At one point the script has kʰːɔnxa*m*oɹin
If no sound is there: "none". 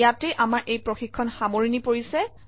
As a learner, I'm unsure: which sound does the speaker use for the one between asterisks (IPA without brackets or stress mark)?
m